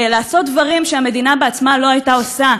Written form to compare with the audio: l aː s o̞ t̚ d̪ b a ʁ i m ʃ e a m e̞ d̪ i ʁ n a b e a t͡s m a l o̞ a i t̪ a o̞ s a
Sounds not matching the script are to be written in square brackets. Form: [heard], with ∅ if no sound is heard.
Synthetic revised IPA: l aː s o̞ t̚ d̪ [v] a ʁ i m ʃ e a m e̞ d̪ i [∅] n a b e a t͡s m a l o̞ a [j] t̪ a o̞ s a